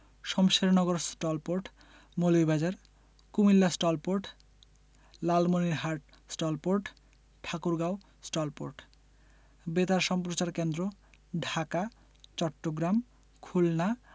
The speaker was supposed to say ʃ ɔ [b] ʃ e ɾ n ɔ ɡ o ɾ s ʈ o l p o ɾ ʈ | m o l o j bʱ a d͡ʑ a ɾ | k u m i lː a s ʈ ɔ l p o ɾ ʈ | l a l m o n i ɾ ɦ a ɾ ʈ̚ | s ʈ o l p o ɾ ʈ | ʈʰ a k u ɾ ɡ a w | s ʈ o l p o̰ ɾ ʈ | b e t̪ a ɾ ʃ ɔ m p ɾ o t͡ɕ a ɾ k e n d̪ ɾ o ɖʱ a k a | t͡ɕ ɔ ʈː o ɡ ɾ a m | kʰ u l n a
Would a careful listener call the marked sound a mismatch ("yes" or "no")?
yes